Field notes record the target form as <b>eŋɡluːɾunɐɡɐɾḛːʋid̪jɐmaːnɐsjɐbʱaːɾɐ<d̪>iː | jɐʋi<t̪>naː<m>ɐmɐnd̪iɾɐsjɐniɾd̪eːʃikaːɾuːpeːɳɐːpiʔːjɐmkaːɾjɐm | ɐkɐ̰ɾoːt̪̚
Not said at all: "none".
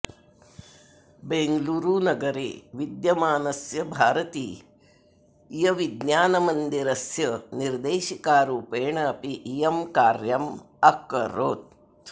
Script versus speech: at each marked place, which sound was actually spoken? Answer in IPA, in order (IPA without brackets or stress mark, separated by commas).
b, t̪, d̪, n